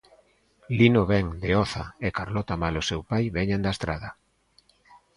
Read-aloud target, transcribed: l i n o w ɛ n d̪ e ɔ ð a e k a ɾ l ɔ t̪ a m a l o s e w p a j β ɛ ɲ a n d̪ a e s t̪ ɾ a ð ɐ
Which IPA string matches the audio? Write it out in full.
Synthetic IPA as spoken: l i n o β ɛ ŋ d̪ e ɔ θ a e k a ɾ l ɔ t̪ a m a l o s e w p a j β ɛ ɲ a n d̪ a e s t̪ ɾ a ð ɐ